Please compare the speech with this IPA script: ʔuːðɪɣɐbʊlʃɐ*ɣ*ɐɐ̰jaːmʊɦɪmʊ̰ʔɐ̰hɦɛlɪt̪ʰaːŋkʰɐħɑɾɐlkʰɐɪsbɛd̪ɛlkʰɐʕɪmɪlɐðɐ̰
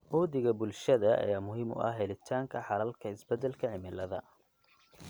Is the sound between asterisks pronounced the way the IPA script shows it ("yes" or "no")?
no